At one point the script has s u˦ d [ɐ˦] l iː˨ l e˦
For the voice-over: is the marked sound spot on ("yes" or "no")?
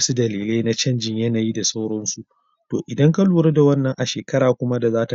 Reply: no